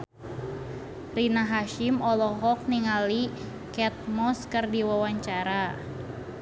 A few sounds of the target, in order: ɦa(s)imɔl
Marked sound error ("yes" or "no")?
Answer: yes